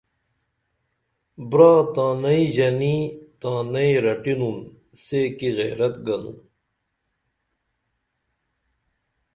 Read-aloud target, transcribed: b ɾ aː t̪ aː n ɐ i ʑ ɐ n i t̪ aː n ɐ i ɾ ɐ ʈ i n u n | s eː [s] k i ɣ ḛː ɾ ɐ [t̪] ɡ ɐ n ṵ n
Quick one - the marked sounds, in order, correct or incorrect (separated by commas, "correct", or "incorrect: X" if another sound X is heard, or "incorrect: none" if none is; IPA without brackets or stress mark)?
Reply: incorrect: none, correct